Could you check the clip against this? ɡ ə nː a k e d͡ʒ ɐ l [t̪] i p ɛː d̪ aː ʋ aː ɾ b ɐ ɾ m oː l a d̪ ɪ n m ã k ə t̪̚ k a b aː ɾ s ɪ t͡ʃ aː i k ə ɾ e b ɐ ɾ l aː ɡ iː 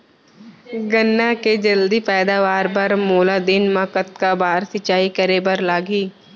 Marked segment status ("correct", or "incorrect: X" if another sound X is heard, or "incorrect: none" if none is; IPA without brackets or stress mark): incorrect: d̪